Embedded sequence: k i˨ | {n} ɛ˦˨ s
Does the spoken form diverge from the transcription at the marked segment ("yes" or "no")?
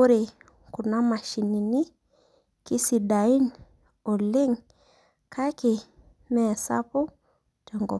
yes